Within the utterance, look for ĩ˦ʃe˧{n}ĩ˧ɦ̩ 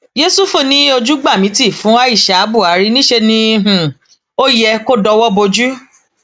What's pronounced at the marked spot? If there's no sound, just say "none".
n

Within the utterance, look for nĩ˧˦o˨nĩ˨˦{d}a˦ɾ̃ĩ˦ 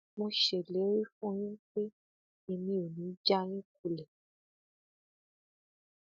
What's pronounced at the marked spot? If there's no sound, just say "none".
d͡ʒ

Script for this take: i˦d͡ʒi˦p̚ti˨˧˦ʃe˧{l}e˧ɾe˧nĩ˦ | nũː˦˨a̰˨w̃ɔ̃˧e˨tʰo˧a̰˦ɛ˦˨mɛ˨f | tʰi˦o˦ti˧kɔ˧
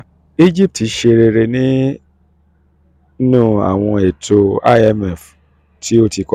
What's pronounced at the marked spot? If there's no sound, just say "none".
ɾ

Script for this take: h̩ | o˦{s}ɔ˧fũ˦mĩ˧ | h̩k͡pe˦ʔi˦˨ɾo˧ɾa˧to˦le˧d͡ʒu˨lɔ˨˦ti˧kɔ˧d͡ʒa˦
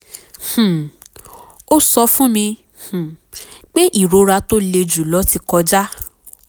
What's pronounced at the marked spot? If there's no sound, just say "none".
s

